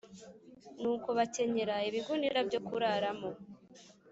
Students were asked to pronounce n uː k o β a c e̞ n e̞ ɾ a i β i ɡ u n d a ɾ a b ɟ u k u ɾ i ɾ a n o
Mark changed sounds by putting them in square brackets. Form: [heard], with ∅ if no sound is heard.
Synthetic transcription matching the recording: n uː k o β a c e̞ [ɲ] e̞ ɾ a i β i ɡ u n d [i] ɾ a b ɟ [o] k u ɾ [a] ɾ a [m] o